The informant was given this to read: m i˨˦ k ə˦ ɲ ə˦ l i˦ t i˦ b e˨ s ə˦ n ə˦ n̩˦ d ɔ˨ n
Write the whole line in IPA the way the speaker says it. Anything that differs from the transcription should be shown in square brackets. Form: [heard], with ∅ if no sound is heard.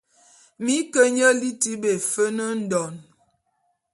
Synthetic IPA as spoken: m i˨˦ k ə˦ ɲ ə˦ l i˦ t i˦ b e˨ [f] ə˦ n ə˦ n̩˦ d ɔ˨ n

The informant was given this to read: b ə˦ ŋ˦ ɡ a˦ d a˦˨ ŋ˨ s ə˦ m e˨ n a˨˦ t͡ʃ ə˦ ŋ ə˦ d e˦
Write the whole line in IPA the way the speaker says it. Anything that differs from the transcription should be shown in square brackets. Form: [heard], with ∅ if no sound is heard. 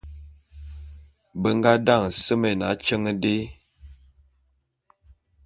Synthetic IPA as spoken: b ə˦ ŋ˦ ɡ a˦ d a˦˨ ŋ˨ s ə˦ m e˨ n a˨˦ t͡ʃ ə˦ ŋ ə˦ d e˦

